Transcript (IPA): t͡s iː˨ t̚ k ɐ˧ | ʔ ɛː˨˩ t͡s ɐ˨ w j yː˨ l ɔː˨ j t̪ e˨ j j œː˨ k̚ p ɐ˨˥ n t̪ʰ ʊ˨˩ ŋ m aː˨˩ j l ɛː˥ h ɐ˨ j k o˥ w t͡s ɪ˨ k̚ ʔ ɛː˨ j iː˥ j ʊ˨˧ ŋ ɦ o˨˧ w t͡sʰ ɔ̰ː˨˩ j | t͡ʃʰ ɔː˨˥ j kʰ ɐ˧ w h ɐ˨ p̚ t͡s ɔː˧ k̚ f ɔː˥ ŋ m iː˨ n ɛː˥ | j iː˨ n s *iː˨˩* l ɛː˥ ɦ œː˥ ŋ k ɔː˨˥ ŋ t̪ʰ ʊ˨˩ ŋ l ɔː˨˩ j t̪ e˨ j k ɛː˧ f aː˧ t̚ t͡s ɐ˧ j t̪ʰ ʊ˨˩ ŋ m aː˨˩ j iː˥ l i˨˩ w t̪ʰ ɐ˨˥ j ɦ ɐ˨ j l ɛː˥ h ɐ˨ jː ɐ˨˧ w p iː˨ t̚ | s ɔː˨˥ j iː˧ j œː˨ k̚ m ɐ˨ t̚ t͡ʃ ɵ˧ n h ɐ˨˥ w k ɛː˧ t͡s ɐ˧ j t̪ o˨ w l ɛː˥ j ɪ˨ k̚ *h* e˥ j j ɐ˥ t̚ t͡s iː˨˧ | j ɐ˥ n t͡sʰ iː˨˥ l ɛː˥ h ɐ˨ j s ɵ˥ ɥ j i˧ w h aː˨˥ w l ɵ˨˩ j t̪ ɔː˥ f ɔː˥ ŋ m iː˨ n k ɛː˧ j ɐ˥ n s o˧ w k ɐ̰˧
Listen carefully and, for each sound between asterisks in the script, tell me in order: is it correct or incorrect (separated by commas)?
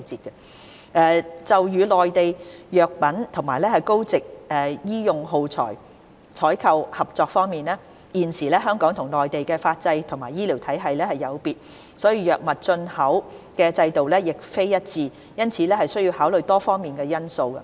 correct, incorrect